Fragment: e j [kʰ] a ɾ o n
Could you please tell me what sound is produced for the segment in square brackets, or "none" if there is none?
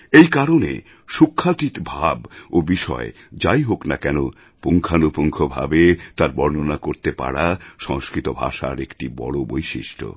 k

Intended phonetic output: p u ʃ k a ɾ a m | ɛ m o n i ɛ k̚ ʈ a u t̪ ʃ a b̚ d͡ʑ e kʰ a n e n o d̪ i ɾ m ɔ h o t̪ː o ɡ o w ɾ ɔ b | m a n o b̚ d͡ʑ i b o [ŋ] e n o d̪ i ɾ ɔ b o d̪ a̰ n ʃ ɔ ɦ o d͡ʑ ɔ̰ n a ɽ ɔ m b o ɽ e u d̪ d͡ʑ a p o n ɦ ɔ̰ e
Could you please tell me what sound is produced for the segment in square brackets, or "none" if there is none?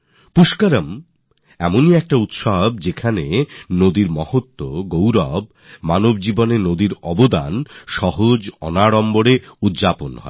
n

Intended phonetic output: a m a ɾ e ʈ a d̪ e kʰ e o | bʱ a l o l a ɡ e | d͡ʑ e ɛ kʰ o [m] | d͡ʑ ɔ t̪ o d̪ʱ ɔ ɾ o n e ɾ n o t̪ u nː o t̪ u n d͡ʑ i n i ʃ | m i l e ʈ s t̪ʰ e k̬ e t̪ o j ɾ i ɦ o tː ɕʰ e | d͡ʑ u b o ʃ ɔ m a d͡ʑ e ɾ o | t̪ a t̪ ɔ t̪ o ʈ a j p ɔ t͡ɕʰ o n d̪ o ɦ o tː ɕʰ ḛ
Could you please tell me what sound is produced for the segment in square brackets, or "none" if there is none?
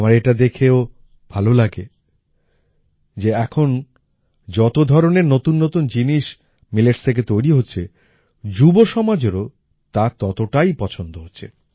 n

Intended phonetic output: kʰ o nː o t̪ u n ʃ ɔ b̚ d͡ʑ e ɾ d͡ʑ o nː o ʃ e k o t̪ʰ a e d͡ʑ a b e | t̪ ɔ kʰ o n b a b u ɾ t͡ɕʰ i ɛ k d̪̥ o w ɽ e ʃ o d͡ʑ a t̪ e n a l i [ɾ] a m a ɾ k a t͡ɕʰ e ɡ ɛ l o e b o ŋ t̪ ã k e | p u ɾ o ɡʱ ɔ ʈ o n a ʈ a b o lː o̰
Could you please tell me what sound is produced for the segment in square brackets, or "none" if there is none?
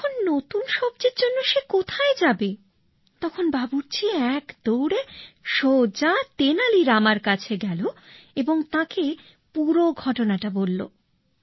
ɾ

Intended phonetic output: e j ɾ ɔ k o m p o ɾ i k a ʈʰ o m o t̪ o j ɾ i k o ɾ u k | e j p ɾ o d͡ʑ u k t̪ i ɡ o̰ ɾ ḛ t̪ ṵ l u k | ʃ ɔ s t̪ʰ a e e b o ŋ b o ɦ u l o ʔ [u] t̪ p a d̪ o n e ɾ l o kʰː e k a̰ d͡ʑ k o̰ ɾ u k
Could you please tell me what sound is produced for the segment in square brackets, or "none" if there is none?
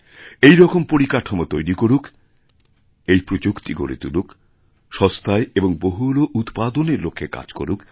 u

